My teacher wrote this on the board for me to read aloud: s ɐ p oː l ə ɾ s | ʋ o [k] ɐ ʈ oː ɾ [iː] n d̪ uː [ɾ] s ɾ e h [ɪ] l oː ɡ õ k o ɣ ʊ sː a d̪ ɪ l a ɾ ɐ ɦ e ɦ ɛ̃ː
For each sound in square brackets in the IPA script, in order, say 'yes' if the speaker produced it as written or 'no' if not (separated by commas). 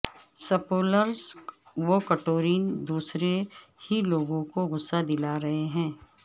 yes, yes, no, no